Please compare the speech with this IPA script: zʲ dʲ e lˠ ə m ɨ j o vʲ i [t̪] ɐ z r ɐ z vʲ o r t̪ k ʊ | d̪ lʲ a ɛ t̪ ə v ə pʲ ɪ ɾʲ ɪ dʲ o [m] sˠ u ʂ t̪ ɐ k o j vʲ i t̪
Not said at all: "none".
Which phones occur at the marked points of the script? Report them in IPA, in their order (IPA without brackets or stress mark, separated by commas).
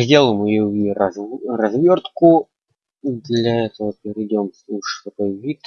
none, m